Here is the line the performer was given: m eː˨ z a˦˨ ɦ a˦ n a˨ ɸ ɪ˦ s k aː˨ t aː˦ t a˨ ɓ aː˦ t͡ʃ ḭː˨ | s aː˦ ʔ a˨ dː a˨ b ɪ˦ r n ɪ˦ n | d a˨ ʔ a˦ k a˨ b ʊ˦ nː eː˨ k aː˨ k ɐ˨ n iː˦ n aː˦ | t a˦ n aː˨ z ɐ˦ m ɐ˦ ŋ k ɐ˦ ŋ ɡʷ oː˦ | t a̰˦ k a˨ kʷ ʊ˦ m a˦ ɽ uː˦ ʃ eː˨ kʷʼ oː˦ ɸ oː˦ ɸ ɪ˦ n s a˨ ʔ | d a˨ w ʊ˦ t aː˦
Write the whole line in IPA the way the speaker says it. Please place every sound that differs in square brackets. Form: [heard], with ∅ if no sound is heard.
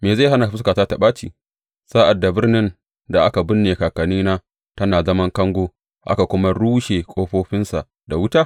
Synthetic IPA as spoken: m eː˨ z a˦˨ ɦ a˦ n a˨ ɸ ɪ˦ s k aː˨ t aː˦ t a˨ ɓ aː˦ t͡ʃ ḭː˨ | s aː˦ ʔ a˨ dː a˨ b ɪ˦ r n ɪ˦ n | d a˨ ʔ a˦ k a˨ b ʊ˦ nː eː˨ k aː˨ k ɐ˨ n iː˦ n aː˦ | t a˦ n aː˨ z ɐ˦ m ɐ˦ ŋ k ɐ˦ ŋ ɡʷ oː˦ | [ʔ] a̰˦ k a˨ kʷ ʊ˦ m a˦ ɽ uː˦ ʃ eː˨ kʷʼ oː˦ ɸ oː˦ ɸ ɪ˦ n s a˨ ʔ | d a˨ w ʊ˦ t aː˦